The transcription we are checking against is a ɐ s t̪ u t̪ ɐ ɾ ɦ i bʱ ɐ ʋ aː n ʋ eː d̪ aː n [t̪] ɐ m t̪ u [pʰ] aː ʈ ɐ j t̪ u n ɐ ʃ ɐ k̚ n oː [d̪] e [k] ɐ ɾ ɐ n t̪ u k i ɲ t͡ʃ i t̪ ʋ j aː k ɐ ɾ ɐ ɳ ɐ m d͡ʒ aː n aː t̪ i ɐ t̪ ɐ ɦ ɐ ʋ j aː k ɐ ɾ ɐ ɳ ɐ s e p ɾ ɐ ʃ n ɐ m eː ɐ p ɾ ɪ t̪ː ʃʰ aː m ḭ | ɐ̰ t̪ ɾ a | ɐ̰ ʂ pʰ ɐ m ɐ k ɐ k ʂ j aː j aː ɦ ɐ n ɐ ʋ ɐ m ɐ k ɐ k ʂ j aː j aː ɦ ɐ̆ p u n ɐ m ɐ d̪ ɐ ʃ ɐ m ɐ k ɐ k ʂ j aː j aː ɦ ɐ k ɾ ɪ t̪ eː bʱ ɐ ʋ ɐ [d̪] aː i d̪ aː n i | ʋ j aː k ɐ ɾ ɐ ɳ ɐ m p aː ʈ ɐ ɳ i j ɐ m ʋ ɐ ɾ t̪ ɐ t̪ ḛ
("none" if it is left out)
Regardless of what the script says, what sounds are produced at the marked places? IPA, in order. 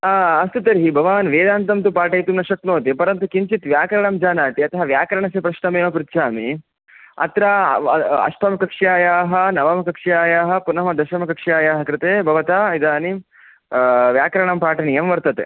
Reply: t̪, p, t̪, p, t̪

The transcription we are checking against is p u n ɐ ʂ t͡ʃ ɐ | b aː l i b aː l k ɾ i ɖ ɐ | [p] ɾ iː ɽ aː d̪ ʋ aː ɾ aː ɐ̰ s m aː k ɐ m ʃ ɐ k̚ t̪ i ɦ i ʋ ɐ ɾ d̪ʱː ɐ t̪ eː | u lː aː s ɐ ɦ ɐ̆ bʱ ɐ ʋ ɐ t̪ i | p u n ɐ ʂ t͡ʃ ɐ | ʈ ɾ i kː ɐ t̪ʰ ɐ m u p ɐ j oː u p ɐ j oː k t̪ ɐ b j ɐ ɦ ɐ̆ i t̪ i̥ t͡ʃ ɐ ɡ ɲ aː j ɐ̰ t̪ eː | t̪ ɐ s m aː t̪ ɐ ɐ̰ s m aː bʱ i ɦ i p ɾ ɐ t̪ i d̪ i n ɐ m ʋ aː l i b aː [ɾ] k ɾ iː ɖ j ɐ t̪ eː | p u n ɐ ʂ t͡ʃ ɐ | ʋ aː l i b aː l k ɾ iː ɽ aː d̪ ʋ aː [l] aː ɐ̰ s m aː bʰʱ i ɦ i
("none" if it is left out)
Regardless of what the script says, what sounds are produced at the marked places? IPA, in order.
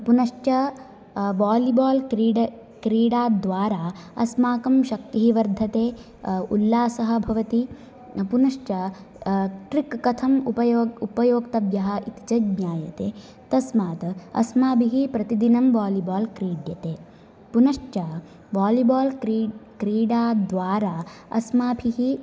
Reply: k, l, ɾ

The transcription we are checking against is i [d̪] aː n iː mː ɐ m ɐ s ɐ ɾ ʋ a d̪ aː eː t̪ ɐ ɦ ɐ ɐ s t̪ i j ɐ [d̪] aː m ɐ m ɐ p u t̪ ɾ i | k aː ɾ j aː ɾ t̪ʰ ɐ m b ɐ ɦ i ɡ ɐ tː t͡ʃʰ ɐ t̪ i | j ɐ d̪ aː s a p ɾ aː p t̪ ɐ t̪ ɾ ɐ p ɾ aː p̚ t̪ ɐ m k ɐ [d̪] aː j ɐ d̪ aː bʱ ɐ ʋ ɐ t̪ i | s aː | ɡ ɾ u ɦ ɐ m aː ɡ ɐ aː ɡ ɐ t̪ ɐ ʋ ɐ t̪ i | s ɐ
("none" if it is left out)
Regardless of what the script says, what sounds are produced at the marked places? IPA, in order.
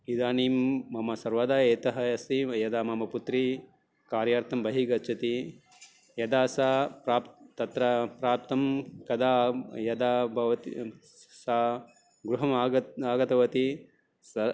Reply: d̪, d̪, d̪

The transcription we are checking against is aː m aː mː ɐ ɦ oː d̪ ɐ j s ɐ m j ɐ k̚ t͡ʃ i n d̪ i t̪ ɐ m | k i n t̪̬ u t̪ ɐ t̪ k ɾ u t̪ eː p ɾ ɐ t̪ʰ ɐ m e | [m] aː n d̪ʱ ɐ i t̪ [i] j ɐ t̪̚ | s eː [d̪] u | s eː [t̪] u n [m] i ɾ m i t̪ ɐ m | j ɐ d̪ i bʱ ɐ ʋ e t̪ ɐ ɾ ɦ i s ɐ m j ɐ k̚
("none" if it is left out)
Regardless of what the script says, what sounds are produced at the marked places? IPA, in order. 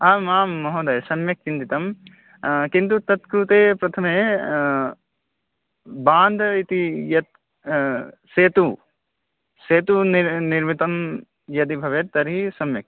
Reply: b, i, t̪, t̪, n

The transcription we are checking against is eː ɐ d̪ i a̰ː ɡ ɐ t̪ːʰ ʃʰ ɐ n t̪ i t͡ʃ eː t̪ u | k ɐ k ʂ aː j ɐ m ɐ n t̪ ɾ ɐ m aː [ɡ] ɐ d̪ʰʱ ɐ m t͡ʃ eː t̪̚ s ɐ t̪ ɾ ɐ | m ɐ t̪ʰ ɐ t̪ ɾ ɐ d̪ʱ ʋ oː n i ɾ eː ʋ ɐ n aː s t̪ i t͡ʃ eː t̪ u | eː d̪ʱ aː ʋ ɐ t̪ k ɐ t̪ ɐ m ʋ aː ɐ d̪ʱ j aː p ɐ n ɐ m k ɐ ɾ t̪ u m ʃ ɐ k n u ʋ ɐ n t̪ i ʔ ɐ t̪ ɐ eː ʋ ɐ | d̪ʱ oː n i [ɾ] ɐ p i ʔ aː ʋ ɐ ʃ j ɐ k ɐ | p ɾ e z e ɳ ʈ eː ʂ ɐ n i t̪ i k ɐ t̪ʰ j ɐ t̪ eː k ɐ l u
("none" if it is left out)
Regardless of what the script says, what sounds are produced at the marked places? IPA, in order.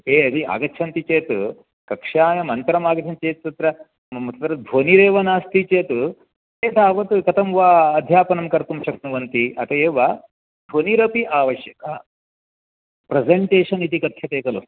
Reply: ɡ, ɾ

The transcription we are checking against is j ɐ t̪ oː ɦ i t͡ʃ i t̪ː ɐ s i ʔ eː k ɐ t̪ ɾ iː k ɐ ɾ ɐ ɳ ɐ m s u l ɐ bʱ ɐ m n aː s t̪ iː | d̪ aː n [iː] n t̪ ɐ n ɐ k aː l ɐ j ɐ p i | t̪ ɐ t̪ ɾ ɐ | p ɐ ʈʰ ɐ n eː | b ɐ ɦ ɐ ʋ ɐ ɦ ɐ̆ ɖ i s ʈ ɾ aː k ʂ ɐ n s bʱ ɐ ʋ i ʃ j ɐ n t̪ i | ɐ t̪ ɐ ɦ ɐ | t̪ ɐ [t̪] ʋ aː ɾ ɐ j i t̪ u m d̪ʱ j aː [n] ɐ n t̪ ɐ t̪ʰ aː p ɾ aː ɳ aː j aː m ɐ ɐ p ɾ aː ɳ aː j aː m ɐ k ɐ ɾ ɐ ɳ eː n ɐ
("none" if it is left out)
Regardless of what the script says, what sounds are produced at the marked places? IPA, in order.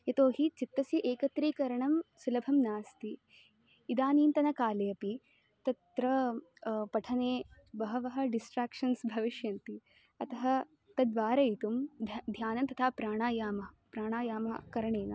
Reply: iː, d̪, n

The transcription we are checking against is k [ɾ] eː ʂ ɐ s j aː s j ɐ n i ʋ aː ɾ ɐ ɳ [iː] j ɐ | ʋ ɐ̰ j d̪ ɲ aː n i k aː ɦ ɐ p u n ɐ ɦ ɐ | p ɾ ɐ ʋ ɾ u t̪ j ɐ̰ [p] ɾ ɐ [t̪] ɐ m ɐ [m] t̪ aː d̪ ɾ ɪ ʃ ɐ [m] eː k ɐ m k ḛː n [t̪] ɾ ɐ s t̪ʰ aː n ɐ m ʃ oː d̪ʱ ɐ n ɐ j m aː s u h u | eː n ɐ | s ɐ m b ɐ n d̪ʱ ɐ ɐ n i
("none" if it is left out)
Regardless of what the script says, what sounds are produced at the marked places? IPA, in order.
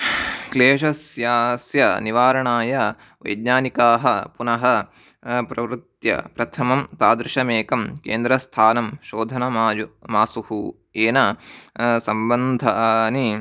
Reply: l, aː, p, t̪ʰ, m, m, d̪

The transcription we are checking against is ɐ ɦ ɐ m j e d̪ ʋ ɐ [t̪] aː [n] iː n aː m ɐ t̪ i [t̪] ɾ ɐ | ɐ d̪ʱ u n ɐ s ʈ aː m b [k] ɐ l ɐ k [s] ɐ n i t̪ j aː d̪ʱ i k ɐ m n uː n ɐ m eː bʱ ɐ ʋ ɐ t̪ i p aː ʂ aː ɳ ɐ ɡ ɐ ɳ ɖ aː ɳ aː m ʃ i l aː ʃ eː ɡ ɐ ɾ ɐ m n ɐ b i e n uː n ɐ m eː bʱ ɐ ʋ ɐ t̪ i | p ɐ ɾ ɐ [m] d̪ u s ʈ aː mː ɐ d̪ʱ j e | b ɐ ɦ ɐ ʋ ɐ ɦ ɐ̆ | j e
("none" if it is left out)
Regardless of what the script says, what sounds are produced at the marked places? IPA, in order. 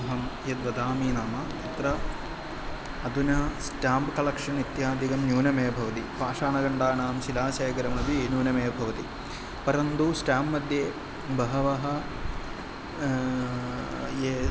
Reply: d̪, m, t̪, k, ʂ, n

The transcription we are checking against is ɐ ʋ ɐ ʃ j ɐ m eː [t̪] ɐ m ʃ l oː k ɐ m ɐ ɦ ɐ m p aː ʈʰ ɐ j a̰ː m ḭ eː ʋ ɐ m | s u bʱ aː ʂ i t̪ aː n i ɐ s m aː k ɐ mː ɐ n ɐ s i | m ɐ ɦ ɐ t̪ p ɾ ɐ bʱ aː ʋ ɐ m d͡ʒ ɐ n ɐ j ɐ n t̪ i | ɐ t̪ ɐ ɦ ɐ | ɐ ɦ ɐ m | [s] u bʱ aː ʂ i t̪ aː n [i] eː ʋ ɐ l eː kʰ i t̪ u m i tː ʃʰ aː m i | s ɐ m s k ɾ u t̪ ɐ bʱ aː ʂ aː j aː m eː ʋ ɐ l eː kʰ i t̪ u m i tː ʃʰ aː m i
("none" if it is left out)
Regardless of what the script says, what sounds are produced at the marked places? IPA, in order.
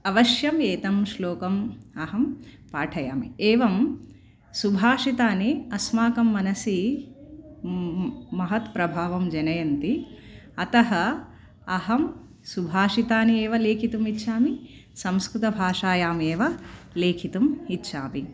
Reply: t̪, s, i

